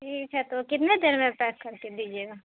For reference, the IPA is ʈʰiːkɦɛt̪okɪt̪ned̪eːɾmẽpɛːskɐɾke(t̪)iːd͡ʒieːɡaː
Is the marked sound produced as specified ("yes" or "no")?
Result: no